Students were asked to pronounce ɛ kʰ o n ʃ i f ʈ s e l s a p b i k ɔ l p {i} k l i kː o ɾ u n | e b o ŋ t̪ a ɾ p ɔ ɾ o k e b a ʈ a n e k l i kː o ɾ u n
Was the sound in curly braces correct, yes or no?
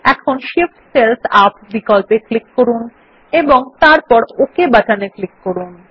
no